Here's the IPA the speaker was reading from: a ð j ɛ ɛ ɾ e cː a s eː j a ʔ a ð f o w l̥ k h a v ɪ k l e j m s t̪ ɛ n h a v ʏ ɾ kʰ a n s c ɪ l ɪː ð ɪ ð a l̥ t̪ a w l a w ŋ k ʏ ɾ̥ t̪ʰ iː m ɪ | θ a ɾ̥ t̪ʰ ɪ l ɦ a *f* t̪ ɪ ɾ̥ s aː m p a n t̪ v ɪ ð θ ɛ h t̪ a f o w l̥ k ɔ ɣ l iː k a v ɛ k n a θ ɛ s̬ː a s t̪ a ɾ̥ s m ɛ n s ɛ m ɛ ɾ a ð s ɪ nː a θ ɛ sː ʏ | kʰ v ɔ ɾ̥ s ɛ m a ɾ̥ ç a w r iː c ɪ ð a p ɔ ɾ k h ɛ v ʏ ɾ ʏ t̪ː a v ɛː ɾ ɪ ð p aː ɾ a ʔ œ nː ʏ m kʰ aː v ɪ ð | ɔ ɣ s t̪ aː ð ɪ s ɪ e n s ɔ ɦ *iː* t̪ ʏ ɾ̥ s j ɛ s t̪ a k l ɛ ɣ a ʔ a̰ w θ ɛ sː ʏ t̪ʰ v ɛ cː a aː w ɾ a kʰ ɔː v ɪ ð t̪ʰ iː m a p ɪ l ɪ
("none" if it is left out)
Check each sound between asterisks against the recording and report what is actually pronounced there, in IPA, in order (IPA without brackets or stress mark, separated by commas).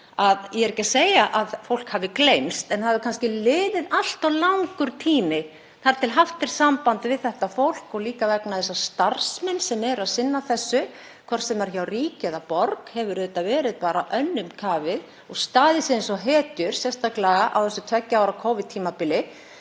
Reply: f, ɛː